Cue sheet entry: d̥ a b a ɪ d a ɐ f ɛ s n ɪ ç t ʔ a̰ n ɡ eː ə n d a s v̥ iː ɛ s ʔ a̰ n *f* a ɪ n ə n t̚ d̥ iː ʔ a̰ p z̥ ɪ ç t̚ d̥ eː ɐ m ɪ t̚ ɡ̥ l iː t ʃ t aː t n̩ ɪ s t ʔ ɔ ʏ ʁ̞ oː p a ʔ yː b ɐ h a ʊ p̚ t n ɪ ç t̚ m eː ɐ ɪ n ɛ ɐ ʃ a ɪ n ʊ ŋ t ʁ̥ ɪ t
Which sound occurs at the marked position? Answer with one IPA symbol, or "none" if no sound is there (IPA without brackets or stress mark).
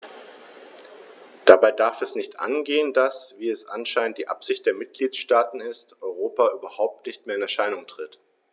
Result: ʃ